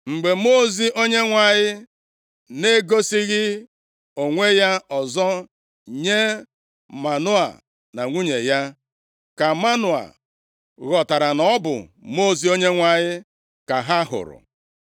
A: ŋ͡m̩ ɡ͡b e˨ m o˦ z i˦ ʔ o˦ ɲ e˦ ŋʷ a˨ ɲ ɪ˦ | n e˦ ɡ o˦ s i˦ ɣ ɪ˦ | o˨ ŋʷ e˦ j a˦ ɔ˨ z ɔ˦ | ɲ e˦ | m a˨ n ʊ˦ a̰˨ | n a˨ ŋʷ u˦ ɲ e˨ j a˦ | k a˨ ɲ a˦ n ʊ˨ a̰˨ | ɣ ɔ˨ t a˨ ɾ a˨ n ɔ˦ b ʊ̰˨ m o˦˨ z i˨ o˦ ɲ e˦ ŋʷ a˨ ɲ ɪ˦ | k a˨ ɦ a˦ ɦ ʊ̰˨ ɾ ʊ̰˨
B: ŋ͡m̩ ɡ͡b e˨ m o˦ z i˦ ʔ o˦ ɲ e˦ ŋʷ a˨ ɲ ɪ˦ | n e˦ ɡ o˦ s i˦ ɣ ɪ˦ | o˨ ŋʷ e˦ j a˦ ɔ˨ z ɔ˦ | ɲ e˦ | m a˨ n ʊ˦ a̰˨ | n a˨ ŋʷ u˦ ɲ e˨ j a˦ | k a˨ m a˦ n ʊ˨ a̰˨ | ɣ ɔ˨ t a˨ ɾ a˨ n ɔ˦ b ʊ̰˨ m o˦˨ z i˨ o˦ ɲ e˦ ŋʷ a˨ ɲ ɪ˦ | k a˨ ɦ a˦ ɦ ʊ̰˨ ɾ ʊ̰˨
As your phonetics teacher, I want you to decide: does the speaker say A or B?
B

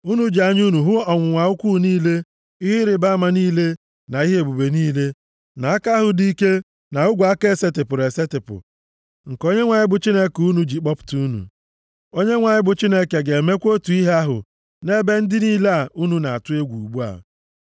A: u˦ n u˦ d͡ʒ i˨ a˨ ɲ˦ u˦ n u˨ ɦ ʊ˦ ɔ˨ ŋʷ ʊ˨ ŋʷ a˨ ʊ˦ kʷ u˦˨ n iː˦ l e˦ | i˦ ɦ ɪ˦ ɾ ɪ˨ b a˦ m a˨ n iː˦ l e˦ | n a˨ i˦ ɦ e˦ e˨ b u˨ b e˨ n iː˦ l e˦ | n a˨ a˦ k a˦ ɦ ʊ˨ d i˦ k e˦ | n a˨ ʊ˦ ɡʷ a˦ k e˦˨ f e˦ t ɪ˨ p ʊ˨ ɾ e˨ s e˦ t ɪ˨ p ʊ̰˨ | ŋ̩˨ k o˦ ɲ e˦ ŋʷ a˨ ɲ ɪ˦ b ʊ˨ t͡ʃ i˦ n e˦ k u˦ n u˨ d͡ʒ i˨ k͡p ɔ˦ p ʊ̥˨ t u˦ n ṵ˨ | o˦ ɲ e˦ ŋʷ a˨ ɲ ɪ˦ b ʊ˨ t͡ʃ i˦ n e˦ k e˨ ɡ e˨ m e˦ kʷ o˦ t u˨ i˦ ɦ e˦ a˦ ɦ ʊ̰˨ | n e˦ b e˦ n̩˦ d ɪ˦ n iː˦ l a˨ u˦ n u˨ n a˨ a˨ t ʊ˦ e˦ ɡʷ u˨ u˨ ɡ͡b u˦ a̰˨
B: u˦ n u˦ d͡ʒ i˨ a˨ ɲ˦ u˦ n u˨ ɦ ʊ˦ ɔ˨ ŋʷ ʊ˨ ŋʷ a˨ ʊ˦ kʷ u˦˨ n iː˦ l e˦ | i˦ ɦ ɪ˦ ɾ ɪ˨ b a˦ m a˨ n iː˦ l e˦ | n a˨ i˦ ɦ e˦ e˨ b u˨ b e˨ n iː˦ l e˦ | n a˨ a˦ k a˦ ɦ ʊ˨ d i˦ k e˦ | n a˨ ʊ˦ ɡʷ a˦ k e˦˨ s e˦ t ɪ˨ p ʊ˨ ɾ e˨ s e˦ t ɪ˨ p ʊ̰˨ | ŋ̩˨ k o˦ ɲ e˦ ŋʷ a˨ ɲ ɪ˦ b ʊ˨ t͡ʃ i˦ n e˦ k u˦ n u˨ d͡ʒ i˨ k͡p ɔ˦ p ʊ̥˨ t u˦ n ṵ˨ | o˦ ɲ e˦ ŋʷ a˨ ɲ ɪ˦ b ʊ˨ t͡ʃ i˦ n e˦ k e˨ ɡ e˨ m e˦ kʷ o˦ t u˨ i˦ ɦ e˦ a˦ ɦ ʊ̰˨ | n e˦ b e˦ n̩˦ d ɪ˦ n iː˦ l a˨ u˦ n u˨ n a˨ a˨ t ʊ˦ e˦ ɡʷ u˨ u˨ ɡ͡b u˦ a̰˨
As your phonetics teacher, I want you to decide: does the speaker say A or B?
B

